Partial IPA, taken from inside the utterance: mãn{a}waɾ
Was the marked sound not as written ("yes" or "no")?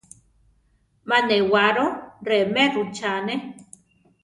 yes